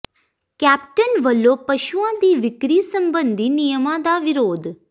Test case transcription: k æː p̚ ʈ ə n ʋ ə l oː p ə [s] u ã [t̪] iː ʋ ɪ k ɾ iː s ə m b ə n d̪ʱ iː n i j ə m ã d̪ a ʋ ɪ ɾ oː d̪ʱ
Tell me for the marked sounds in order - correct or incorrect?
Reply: incorrect: ʃ, incorrect: d̪

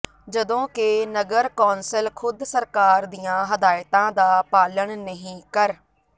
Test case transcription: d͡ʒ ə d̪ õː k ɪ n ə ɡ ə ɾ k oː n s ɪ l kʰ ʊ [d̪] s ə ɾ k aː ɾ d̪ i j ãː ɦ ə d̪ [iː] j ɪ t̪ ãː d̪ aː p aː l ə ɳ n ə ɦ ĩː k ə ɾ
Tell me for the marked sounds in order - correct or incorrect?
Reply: correct, incorrect: aː

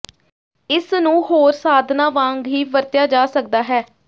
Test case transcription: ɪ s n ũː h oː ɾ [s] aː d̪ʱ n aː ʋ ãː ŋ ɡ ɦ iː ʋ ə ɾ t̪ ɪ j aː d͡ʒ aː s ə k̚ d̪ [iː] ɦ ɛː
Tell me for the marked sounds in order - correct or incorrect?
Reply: correct, incorrect: aː

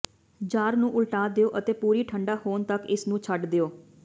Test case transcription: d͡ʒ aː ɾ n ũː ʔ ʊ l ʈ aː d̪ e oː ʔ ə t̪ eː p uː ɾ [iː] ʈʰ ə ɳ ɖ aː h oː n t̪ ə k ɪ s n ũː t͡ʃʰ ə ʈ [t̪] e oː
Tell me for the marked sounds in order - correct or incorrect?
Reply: correct, incorrect: d̪

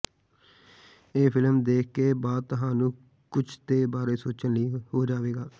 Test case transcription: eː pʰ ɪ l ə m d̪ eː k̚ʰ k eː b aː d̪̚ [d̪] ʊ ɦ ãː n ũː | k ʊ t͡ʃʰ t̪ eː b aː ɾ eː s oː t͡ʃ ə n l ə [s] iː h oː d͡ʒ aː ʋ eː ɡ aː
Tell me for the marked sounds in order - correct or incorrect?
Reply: incorrect: t̪, incorrect: none

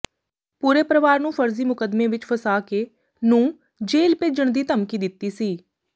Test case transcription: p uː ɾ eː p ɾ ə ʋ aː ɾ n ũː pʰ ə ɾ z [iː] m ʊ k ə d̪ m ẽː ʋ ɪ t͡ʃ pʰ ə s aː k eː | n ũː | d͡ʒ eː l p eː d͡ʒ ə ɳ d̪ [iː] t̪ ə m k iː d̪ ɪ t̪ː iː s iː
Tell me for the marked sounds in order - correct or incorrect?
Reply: correct, correct

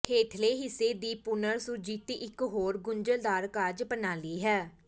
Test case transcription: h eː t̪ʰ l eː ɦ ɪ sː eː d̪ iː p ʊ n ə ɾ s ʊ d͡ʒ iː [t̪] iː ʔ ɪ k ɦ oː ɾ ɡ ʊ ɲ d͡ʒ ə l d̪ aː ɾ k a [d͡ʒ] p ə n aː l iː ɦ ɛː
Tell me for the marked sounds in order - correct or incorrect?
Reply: correct, correct

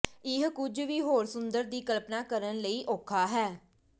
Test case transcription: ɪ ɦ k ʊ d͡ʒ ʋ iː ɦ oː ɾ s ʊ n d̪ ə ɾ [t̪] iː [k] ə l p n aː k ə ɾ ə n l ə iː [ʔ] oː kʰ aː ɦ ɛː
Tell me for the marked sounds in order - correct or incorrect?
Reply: incorrect: d̪, correct, correct

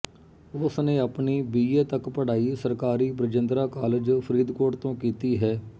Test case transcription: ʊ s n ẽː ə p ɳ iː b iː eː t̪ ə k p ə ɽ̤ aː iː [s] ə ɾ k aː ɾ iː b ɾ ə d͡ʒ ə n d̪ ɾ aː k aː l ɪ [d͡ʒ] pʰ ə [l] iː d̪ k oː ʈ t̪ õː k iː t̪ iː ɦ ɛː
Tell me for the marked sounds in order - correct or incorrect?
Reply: correct, correct, incorrect: ɾ

